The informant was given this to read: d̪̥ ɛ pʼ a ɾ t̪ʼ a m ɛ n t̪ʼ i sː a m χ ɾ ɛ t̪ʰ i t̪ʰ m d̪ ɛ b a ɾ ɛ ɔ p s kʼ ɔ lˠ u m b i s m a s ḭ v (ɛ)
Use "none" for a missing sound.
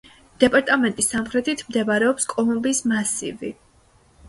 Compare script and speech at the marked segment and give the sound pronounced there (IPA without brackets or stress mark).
i